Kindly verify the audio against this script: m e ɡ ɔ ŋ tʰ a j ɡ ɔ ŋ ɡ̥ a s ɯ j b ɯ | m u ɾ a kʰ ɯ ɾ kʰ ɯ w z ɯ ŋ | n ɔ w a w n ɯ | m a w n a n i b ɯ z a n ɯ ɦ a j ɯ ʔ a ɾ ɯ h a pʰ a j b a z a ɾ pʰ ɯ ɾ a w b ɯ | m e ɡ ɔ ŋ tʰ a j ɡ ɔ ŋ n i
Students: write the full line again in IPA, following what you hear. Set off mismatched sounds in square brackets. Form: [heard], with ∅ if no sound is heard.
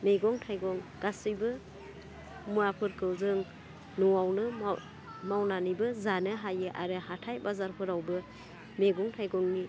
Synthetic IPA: m e ɡ ɔ ŋ tʰ a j ɡ ɔ ŋ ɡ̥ a s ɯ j b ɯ | m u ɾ a [pʰ] ɯ ɾ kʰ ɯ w z ɯ ŋ | n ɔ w a w n ɯ | m a w n a n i b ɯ z a n ɯ ɦ a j ɯ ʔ a ɾ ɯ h a [tʰ] a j b a z a ɾ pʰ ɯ ɾ a w b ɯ | m e ɡ ɔ ŋ tʰ a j ɡ ɔ ŋ n i